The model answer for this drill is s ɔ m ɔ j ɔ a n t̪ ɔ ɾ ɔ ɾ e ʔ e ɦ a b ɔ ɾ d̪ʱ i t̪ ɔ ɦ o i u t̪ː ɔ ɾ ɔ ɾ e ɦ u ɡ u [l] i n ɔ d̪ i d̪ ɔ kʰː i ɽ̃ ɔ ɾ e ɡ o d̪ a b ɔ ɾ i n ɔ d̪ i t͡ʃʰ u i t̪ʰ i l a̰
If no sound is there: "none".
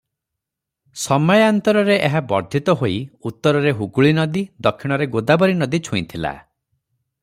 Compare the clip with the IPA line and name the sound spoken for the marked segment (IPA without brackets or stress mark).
ɭ